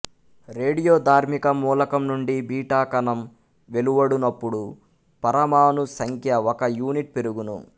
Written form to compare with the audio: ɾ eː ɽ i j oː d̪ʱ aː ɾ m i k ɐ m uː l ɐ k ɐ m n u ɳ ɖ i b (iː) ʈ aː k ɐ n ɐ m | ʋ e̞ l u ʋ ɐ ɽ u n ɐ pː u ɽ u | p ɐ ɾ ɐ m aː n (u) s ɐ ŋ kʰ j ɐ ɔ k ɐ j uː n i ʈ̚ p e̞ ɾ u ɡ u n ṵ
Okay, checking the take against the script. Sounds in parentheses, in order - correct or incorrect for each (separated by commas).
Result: correct, correct